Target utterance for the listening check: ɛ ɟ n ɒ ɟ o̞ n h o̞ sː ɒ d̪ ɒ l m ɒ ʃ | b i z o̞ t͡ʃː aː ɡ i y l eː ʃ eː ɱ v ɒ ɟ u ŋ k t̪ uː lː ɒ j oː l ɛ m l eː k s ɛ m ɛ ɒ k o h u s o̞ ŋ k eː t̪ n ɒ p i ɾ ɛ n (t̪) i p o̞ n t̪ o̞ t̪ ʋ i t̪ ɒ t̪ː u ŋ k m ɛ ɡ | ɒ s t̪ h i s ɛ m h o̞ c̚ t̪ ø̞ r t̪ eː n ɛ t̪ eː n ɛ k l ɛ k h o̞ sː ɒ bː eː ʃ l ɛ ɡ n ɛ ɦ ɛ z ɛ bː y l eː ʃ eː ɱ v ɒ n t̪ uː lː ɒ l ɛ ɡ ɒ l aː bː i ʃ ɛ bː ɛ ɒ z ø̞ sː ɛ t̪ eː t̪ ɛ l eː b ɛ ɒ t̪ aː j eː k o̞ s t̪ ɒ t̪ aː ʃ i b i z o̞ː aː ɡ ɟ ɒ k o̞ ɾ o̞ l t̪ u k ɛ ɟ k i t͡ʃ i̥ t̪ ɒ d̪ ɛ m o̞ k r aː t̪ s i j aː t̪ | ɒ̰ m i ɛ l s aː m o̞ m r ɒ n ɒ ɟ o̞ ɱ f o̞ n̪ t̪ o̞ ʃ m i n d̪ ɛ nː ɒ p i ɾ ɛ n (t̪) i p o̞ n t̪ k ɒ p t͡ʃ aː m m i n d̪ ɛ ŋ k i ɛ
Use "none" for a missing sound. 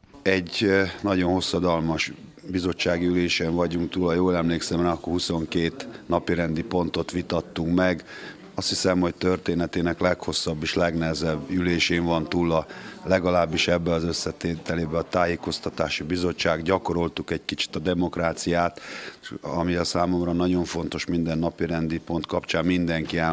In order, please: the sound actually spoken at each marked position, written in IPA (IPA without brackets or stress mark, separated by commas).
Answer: d̪, d̪